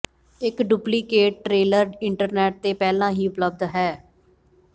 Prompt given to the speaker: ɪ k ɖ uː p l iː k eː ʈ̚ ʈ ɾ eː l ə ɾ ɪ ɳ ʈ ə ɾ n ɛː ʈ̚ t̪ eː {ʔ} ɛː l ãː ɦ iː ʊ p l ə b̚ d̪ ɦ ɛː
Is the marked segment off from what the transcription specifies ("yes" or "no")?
yes